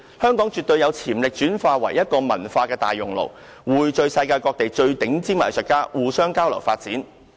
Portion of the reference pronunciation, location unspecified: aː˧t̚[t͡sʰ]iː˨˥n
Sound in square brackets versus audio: incorrect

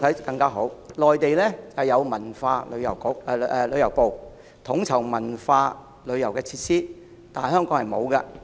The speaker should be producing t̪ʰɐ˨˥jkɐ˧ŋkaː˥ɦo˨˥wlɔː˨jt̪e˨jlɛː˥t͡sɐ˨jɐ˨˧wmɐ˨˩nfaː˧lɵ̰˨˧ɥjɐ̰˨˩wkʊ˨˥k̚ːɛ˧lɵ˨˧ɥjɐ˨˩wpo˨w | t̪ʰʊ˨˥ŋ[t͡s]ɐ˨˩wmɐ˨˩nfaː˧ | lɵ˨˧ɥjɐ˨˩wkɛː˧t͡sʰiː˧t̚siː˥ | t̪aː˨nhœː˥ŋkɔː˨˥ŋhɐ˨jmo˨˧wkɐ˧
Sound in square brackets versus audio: incorrect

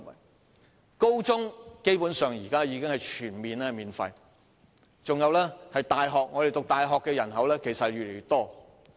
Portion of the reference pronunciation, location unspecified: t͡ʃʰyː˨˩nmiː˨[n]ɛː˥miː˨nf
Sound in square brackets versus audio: correct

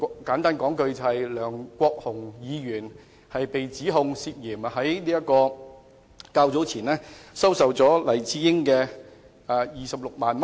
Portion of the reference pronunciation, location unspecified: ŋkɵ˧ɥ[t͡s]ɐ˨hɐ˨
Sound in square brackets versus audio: correct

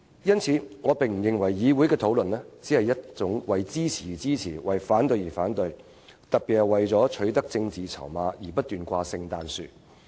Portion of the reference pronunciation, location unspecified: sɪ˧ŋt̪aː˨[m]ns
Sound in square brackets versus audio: incorrect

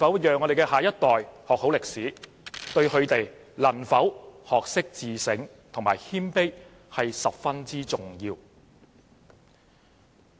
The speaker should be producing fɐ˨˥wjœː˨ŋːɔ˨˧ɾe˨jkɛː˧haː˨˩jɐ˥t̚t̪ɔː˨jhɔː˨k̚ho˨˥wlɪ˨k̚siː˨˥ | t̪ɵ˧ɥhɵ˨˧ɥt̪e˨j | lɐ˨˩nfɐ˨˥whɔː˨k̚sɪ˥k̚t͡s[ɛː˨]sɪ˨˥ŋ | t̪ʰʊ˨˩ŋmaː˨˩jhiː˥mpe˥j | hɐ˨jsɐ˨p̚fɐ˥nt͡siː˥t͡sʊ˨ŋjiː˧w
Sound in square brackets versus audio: incorrect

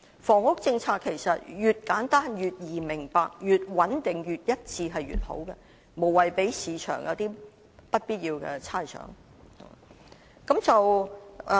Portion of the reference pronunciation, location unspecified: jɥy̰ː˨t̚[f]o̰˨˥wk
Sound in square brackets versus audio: incorrect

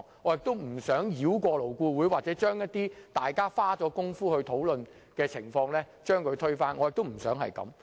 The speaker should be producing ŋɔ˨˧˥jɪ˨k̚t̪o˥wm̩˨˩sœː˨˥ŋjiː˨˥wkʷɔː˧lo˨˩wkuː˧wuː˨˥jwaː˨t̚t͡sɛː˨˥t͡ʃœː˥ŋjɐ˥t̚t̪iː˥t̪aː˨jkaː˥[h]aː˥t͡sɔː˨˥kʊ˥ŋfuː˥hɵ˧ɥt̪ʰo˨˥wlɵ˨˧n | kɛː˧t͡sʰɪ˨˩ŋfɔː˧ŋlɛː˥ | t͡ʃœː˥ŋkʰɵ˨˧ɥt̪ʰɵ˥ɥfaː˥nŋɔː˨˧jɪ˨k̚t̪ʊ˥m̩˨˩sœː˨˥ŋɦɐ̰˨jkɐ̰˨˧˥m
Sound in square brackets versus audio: incorrect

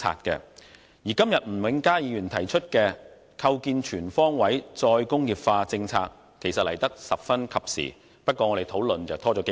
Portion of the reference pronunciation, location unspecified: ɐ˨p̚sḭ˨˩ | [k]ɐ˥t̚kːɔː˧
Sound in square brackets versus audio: incorrect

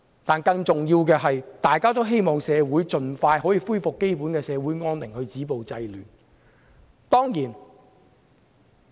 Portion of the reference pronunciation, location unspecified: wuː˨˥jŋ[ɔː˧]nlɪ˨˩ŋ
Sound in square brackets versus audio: incorrect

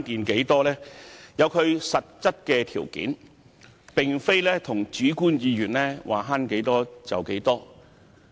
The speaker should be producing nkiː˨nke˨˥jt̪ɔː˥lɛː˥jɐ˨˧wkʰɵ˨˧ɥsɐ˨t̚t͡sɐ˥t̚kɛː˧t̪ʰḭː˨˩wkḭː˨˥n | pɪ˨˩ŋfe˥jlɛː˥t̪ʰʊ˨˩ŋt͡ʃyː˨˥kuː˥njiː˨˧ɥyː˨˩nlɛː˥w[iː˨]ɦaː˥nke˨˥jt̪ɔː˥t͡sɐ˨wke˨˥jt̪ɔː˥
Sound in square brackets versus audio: incorrect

